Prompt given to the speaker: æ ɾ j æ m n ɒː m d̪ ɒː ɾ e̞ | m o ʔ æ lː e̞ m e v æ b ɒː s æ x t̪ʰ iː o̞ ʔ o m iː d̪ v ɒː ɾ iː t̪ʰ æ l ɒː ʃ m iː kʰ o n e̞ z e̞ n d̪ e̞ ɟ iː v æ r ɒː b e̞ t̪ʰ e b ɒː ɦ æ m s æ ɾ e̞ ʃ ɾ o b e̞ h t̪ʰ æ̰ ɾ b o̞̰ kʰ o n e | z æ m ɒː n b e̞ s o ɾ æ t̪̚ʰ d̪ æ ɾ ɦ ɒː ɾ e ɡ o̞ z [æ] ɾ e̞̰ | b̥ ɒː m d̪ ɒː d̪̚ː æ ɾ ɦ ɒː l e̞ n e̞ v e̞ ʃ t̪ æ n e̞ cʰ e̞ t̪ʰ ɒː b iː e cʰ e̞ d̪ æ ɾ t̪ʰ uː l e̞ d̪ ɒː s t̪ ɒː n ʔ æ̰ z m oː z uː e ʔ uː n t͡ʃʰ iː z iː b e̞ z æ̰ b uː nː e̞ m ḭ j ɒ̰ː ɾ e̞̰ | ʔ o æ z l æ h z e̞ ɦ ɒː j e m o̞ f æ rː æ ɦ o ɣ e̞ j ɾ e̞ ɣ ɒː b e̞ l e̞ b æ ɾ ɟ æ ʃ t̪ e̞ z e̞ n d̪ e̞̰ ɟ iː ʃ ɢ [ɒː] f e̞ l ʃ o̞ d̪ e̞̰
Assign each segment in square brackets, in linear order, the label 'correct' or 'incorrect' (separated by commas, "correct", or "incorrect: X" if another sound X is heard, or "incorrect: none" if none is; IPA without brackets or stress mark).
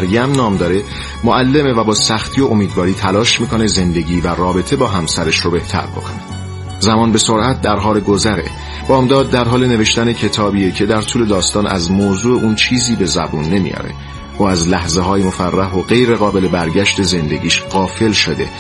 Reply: correct, correct